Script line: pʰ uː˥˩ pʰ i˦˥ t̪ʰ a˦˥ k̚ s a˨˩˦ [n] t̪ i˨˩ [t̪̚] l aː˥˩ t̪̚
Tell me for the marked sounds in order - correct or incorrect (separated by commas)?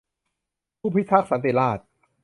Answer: correct, incorrect